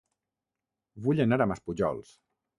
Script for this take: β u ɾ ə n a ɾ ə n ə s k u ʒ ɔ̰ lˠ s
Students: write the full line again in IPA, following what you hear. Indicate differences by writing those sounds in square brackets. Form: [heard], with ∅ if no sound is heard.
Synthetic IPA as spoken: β u [ʎ] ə n a ɾ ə [m] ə s [p] u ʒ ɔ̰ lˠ s